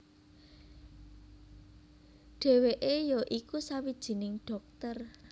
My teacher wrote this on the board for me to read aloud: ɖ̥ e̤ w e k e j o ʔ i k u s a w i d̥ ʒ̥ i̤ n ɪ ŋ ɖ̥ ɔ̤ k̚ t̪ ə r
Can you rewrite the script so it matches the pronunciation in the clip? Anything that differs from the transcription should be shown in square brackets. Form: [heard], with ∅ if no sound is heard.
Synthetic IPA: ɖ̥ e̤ w e [ʔ] e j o ʔ i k u s a w i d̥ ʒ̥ i̤ n ɪ ŋ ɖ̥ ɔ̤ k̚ t̪ ə r